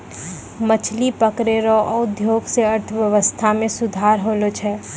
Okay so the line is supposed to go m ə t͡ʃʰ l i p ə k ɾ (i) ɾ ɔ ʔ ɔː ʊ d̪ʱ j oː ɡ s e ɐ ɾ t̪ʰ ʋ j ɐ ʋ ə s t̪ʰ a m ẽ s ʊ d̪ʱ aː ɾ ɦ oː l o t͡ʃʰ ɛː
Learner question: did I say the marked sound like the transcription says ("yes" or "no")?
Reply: no